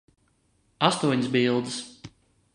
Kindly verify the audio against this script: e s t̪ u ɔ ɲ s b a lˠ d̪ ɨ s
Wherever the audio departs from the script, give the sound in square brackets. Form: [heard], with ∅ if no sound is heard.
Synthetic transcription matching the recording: [a] s t̪ u ɔ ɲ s b [i] lˠ d̪ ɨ s